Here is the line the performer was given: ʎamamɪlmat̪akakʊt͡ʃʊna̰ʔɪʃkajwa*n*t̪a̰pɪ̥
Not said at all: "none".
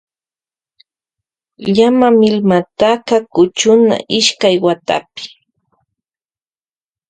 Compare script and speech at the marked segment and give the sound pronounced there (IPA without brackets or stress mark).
none